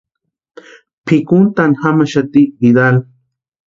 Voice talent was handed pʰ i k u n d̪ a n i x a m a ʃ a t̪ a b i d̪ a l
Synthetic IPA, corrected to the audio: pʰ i k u n t̪ a n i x a m a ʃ a t̪ i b i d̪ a l

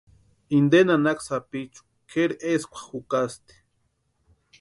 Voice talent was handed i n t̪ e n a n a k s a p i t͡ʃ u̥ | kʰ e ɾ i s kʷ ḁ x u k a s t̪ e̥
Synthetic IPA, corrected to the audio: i n d̪ e n a n a k s a p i t͡ʃ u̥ | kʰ e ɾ e s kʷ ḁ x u k a s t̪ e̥

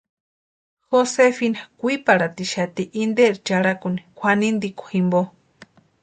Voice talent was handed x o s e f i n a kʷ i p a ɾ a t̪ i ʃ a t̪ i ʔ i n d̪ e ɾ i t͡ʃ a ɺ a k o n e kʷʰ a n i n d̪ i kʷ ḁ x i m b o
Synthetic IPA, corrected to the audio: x o s e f i n a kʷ i p a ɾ a t̪ i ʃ a t̪ i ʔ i n d̪ e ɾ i t͡ʃ a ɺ a k u n i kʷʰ a n i n d̪ i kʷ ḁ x i m b o

